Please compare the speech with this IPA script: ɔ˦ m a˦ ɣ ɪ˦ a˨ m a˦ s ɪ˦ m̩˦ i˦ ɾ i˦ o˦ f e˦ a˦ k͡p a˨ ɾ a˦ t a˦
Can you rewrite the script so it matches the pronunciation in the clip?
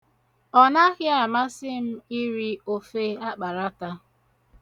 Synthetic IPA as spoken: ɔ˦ n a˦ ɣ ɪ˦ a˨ m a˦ s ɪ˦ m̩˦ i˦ ɾ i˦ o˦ f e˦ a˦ k͡p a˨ ɾ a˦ t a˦